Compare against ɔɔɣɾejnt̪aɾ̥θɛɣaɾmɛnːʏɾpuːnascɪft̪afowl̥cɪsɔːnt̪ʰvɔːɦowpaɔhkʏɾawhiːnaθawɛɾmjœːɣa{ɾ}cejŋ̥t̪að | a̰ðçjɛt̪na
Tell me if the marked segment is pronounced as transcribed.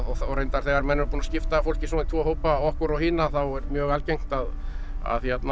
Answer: no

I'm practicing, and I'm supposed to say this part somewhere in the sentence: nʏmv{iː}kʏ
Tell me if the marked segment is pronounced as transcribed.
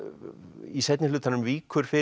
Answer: yes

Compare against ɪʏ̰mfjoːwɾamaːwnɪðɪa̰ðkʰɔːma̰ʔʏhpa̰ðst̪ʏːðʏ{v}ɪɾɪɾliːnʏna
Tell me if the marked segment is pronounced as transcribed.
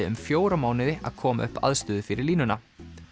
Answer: no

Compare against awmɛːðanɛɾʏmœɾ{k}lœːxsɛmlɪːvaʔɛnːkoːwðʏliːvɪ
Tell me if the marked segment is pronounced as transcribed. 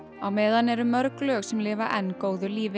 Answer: yes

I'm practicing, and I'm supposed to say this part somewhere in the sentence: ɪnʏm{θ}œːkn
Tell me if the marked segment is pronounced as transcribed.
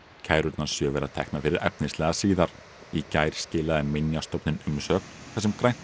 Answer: no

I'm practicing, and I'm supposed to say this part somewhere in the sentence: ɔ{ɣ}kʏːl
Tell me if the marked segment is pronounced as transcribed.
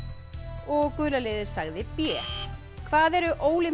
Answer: yes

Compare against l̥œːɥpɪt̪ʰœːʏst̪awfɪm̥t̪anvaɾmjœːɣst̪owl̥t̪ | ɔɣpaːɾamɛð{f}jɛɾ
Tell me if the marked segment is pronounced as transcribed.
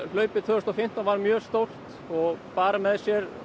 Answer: no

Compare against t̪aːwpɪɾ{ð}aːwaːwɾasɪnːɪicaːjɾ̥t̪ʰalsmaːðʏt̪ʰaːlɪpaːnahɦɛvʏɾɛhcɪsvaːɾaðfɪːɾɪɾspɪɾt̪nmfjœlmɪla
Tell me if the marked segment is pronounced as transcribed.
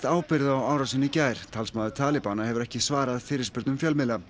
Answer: yes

